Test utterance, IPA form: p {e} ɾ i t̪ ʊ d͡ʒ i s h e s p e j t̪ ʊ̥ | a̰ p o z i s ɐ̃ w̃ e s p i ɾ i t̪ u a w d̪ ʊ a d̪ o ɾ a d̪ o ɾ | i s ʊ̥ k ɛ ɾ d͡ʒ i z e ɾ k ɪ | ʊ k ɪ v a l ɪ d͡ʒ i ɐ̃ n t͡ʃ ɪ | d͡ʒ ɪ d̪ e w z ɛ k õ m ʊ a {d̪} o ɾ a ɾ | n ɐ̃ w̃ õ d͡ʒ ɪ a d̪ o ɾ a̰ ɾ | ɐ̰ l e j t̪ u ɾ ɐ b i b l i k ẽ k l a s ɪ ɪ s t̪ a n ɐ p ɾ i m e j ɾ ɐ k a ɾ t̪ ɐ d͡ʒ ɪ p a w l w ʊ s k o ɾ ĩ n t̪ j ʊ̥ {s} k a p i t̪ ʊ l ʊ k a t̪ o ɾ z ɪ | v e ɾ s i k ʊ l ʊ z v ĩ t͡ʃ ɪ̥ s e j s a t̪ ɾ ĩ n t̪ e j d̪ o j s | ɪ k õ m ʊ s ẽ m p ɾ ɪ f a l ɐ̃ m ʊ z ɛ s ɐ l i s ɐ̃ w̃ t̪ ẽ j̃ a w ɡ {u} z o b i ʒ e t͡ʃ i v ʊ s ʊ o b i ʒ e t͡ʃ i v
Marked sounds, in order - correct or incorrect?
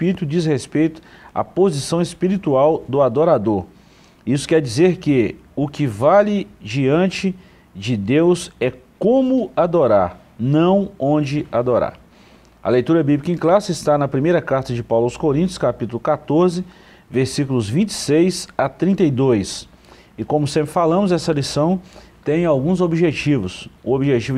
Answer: incorrect: i, correct, correct, incorrect: ũ

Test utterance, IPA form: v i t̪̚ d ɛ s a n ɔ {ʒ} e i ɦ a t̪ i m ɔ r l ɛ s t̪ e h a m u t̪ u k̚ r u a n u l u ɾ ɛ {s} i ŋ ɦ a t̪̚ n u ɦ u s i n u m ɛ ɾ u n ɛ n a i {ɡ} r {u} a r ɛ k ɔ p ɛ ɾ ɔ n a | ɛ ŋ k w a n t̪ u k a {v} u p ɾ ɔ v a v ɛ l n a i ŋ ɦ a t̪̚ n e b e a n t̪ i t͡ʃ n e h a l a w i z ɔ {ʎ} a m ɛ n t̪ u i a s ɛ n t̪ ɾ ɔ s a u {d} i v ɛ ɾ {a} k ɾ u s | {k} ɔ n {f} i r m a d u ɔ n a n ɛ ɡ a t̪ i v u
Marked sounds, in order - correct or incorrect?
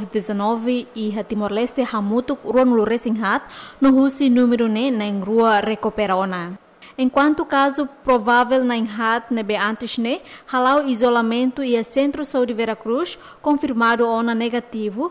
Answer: incorrect: v, correct, incorrect: ŋ, correct, incorrect: z, incorrect: l, correct, correct, correct, correct

